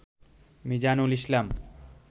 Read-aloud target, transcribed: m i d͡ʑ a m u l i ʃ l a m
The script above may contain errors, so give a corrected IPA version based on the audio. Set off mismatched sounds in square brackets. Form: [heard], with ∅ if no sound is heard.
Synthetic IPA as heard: m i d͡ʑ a [n] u l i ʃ l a m